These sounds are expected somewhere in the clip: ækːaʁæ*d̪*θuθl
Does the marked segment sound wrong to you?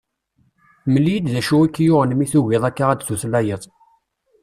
no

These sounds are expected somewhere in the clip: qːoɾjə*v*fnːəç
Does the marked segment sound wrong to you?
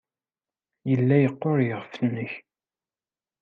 yes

